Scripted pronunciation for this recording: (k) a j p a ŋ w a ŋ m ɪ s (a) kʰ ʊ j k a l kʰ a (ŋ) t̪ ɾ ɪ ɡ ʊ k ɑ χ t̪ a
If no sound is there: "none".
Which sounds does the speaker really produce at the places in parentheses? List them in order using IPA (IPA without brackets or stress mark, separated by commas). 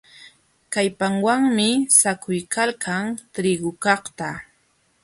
k, a, ŋ